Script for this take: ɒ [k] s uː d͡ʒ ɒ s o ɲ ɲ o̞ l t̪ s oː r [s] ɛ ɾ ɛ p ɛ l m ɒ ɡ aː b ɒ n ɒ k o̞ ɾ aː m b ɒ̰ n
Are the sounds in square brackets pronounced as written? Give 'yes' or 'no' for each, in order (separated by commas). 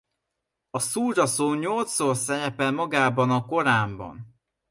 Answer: no, yes